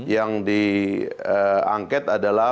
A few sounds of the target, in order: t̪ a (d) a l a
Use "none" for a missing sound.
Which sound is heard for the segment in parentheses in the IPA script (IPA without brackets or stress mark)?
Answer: d